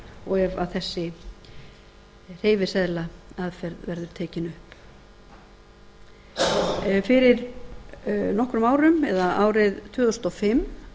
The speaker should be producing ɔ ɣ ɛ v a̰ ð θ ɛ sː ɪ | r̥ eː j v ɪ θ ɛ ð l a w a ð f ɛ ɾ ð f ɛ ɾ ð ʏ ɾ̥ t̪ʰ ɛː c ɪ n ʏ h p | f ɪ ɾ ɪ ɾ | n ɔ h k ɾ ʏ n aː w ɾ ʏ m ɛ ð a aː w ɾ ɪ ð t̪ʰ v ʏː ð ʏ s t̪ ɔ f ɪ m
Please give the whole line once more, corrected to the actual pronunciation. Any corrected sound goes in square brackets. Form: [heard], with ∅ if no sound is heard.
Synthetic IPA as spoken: ɔ ɣ ɛ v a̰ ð θ ɛ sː ɪ | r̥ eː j v ɪ [s] ɛ ð l a [∅] a ð f ɛ ɾ ð [v] ɛ ɾ ð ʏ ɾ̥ t̪ʰ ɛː c ɪ n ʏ h p | f ɪ ɾ ɪ ɾ | n ɔ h k ɾ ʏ [m] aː w ɾ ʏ m ɛ ð a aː w ɾ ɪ ð t̪ʰ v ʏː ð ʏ s t̪ ɔ f ɪ m